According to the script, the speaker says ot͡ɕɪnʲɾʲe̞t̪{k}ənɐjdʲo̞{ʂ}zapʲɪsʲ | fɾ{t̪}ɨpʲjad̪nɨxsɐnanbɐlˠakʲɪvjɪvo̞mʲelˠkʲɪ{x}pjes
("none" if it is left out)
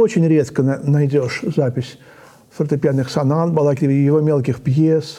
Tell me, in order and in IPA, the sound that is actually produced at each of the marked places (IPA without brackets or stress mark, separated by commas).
k, ʂ, t̪, x